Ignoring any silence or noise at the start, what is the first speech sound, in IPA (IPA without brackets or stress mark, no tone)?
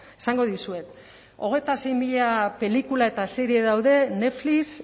e